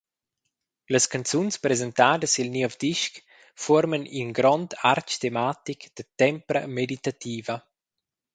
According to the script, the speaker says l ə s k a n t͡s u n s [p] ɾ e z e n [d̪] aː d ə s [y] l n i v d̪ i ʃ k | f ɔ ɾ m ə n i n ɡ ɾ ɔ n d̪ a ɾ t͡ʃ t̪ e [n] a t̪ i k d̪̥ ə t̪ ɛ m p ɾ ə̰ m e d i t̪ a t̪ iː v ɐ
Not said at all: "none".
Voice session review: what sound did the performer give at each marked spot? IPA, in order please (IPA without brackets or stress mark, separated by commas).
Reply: p, t̪, i, m